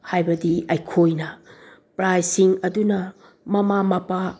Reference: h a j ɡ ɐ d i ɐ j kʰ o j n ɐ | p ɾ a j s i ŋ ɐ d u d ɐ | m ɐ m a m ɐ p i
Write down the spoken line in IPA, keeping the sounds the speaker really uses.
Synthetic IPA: h a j b ɐ d i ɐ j kʰ o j n ɐ | p ɾ a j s i ŋ ɐ d u n ɐ | m ɐ m a m ɐ p a